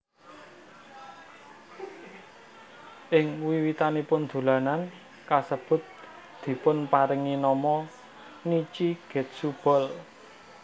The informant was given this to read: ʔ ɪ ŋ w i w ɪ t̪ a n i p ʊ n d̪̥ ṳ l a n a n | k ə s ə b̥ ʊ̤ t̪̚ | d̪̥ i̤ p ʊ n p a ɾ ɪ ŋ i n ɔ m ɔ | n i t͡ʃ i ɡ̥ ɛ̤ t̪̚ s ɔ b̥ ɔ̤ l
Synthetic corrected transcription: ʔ ɪ ŋ w i w i t̪ a n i p ʊ n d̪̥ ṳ l a n a n | k a s ə b̥ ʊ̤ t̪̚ | d̪̥ i̤ p ʊ n p a ɾ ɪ ŋ i n ɔ m ɔ | n i t͡ʃ i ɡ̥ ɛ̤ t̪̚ s u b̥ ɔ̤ l